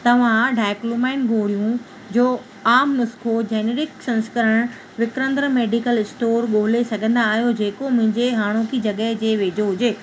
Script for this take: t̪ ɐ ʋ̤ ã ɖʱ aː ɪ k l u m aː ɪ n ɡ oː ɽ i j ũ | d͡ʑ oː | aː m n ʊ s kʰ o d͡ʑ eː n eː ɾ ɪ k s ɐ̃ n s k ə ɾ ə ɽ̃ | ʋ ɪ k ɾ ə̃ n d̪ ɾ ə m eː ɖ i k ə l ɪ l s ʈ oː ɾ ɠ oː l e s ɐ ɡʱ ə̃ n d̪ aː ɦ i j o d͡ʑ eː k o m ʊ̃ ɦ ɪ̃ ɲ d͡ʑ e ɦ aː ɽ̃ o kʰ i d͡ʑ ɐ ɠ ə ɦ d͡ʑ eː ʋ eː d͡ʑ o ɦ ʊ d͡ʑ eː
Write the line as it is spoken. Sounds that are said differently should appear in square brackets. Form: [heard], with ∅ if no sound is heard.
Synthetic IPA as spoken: t̪ ɐ ʋ̤ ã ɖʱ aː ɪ k l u m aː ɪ n ɡ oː ɽ i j ũ | d͡ʑ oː | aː m n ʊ s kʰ o d͡ʑ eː n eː ɾ ɪ k s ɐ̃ n s k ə ɾ ə ɽ̃ | ʋ ɪ k ɾ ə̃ n d̪ ɾ ə m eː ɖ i k ə l ɪ [∅] s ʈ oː ɾ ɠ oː l e s ɐ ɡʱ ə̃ n d̪ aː ɦ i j o d͡ʑ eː k o m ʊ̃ ɦ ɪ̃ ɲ d͡ʑ e ɦ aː ɽ̃ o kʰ i d͡ʑ ɐ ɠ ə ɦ d͡ʑ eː ʋ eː d͡ʑ o ɦ ʊ d͡ʑ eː